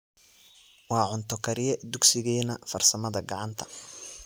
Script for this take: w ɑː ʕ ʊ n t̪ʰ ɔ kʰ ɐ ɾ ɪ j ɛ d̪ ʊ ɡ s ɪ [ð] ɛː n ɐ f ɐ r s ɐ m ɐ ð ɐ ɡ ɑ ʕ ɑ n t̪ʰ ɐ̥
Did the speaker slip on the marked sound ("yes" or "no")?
yes